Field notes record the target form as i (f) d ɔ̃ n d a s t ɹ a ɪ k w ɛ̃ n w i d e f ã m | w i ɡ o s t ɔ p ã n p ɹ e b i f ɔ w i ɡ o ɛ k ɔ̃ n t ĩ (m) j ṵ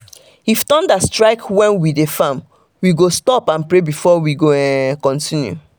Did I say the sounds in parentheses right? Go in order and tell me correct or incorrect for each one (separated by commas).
correct, incorrect